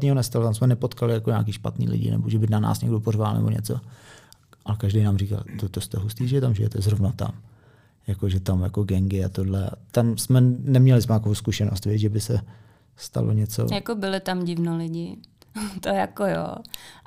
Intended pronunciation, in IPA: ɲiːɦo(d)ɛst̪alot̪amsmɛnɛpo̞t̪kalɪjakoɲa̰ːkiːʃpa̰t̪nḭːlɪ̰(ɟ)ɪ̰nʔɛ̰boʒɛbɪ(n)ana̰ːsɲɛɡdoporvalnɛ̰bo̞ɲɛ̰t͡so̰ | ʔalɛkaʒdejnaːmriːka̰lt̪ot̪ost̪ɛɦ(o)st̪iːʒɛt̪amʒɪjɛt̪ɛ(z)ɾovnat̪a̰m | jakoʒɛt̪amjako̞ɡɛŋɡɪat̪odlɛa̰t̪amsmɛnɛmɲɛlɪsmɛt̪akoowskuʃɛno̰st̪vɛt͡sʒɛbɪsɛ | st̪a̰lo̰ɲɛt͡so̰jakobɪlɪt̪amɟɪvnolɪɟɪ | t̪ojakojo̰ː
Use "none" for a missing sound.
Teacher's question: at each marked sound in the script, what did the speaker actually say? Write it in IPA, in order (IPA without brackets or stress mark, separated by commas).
n, ɟ, n, u, z